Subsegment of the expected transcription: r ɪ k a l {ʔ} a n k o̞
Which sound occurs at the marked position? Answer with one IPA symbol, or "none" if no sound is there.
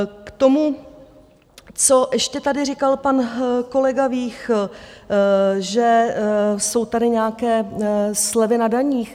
p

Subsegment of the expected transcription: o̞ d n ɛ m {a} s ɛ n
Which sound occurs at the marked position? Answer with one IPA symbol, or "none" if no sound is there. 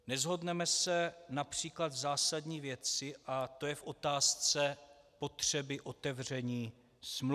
ɛ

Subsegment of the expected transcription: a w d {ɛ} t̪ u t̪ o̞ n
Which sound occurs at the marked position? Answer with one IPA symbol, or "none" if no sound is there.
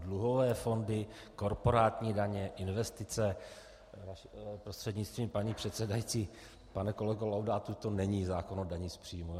a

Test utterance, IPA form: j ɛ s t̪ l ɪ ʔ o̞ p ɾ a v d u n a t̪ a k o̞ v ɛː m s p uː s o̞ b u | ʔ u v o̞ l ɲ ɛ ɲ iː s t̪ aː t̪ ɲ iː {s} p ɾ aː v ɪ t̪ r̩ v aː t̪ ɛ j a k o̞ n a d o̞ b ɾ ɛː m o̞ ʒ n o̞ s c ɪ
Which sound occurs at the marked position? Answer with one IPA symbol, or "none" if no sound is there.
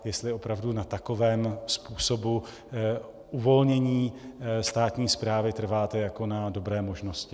s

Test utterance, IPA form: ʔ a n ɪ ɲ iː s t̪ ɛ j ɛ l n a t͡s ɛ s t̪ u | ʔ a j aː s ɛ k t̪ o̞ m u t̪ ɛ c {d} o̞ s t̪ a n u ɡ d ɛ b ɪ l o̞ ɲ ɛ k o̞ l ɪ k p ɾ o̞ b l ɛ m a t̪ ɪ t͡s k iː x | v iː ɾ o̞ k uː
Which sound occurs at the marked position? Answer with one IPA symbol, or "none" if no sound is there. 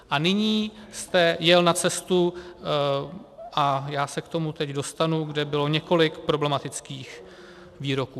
d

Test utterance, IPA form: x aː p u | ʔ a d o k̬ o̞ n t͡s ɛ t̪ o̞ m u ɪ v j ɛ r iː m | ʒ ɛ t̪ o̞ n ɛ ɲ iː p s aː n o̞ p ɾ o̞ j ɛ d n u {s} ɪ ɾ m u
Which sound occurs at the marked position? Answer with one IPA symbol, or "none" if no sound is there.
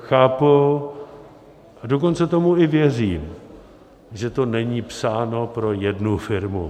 f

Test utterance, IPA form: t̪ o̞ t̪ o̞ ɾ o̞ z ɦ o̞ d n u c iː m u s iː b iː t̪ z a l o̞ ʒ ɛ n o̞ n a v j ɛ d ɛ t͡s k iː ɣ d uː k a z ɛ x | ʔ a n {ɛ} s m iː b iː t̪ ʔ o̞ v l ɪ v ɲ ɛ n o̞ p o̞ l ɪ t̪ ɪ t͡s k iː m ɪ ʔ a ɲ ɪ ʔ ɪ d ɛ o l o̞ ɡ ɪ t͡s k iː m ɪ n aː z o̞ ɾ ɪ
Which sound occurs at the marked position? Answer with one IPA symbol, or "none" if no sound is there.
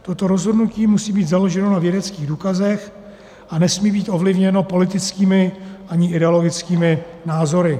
ɛ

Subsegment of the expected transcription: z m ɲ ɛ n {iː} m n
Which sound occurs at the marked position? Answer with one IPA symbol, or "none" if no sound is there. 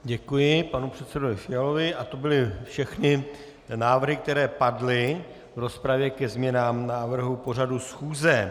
aː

